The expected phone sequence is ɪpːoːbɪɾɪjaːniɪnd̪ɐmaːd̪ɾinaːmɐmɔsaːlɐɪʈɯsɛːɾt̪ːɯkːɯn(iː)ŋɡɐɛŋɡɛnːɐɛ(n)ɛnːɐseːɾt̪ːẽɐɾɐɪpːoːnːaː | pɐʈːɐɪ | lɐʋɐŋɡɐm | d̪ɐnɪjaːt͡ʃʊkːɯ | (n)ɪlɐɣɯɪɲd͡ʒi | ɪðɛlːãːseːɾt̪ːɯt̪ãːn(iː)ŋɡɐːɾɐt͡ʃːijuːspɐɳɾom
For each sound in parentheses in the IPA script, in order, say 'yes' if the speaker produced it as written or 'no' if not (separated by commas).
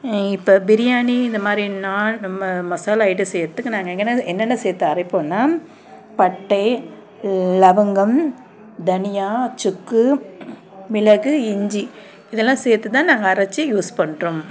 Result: no, no, no, no